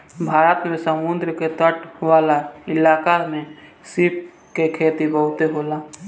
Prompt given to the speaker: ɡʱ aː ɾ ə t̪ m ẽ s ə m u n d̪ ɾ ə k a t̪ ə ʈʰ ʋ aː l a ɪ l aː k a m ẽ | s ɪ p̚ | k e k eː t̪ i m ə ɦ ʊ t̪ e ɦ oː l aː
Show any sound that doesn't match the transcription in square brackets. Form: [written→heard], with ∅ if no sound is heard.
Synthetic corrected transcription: [ɡʱ→bʱ] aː ɾ ə t̪ m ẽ s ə m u n d̪ ɾ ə k [a→e] t̪ ə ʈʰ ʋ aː l a ɪ l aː k a m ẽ | s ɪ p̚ | k e [k→kʰ] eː t̪ i [m→b] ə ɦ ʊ t̪ e ɦ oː l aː